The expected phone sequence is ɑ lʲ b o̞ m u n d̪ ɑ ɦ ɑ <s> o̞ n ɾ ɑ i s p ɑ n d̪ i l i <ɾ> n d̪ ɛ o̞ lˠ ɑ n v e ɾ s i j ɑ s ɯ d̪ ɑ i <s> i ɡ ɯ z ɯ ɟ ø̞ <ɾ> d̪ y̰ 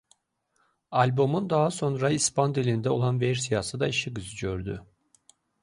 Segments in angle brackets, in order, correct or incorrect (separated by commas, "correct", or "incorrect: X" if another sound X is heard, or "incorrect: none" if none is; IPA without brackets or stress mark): correct, incorrect: none, incorrect: ʃ, correct